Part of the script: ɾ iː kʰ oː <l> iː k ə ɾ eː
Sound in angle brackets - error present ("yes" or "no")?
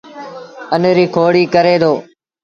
yes